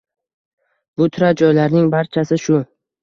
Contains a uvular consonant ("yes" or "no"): no